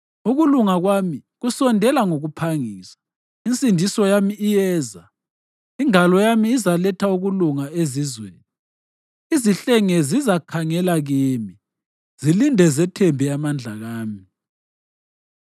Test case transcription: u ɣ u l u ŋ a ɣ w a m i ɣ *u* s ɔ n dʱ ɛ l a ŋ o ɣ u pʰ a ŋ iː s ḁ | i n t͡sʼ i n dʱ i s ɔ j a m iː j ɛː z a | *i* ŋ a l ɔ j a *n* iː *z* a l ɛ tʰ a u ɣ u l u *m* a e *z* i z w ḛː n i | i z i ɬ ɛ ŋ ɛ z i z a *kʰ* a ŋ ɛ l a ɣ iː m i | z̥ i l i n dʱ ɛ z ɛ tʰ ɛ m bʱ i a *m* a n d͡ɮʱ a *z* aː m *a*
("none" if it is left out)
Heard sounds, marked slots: u, i, m, z, ŋ, z, kʰ, m, ɣ, i

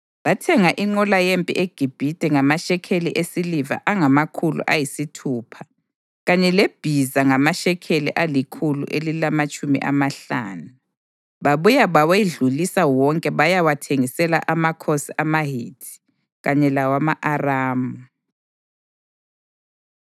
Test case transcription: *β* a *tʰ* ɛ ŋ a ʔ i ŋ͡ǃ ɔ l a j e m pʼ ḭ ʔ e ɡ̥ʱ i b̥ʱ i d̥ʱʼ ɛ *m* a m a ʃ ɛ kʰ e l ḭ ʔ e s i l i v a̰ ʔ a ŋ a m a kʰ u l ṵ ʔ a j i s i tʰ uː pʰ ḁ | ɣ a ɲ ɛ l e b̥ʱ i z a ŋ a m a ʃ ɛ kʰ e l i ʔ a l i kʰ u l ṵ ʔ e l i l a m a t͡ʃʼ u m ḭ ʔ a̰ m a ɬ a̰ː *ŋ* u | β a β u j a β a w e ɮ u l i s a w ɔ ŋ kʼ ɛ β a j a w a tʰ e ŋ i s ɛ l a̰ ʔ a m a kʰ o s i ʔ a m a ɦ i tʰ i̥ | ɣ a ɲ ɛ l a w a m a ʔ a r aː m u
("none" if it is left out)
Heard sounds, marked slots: β, tʰ, ŋ, n

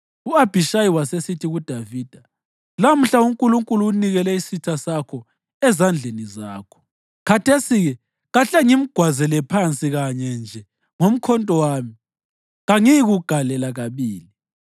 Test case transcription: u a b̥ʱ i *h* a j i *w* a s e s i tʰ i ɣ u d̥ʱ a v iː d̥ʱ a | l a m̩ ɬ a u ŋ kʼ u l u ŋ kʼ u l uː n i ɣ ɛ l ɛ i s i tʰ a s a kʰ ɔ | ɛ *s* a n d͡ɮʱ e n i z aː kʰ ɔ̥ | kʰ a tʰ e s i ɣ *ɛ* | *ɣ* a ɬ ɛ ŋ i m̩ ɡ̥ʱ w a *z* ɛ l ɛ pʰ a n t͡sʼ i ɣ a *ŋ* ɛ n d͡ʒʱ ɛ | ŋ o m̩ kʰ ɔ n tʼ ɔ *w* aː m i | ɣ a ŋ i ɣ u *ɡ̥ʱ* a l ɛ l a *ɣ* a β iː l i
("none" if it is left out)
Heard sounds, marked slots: ʃ, w, z, ɛ, ɣ, z, ɲ, w, ɡ̥ʱ, ɣ

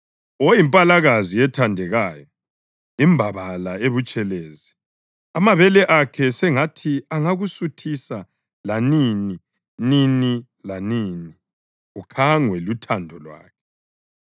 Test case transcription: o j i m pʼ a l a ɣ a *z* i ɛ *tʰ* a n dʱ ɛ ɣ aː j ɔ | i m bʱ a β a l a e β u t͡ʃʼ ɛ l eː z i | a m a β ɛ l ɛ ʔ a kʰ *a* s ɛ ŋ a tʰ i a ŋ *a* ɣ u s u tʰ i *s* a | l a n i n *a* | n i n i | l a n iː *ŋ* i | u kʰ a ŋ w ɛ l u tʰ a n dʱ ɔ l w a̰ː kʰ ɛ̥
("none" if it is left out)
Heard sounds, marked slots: z, tʰ, ɛ, a, s, i, n

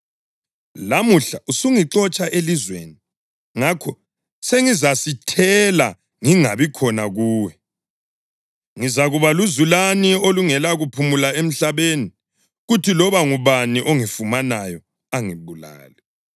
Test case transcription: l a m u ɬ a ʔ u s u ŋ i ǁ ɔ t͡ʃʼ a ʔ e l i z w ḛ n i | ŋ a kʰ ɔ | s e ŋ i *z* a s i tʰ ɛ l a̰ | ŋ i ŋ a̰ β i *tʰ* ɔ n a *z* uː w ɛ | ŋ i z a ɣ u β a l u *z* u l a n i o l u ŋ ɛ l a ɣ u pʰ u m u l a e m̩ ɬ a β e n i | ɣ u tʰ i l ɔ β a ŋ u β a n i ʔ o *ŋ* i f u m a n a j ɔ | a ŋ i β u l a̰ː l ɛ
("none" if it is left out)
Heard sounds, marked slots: z, kʰ, ɣ, z, ŋ

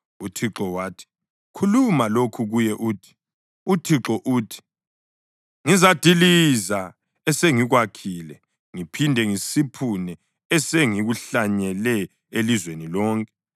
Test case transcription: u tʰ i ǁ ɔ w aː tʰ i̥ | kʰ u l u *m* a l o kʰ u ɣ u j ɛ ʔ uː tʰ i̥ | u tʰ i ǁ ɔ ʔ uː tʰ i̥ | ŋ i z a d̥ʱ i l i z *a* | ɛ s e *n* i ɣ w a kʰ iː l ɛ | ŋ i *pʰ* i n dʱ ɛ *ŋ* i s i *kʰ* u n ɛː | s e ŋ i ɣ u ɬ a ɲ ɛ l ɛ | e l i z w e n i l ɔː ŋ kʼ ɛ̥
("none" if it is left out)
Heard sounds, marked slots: m, a, ŋ, pʰ, ŋ, pʰ

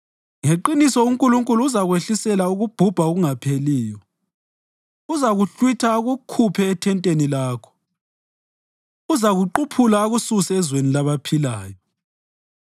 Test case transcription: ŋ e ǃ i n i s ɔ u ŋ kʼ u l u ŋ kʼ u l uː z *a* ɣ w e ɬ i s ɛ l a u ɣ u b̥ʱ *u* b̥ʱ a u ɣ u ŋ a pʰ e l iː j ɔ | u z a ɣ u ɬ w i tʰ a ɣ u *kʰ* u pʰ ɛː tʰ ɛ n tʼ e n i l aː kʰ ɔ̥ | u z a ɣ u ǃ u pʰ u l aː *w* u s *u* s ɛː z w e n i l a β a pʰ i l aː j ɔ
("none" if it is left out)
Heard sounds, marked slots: a, u, kʰ, ɣ, u

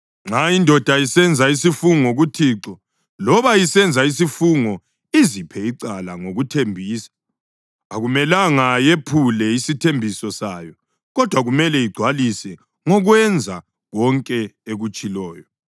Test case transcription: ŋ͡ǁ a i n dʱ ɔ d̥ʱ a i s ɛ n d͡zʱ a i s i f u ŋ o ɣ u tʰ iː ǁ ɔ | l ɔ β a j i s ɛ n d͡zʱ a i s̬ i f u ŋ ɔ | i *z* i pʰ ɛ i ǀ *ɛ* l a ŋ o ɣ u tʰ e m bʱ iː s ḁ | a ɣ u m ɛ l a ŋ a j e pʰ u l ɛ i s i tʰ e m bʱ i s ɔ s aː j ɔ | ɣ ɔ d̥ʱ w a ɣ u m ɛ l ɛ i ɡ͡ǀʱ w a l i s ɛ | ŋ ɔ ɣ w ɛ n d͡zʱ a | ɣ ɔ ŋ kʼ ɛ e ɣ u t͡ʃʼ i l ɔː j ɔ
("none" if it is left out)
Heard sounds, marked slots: z, a

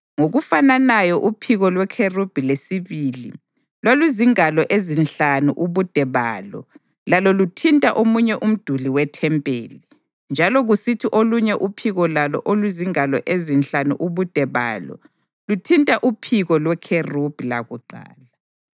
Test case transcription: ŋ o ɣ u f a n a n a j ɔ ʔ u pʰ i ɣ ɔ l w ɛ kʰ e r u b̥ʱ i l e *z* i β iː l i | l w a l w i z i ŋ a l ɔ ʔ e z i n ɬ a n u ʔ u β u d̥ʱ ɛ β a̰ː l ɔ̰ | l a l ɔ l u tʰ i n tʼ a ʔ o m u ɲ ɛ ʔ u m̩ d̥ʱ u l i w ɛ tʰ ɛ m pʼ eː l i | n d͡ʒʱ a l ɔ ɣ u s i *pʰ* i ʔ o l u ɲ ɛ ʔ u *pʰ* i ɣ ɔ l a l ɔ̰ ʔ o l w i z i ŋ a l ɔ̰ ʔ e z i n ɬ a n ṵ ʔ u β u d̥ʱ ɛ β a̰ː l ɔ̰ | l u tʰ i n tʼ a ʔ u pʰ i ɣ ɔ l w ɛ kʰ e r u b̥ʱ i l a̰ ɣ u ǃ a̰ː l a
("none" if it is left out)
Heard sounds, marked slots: s, tʰ, pʰ

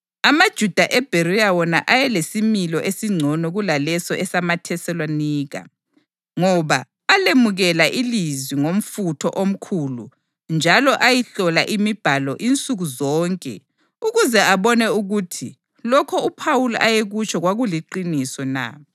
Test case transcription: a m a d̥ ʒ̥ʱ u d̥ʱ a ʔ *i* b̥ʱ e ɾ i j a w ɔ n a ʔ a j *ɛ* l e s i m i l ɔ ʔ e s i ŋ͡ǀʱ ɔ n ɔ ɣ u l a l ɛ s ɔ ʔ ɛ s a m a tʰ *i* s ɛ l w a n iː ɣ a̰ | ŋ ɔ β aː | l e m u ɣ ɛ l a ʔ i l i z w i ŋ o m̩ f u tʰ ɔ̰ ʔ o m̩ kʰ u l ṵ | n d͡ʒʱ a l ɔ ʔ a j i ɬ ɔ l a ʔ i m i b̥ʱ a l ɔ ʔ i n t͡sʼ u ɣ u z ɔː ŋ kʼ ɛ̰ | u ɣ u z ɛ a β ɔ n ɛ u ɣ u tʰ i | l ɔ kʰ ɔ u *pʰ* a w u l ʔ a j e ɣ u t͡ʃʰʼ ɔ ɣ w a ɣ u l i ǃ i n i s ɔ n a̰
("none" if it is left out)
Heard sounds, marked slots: ɛ, ɛ, ɛ, pʰ

